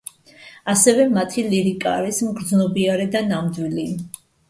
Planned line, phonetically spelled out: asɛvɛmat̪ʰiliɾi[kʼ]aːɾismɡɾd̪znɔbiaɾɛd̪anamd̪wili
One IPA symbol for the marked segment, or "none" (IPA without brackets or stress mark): kʼ